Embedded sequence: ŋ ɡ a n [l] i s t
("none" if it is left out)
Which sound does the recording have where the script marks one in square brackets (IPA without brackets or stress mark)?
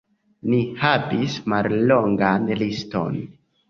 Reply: l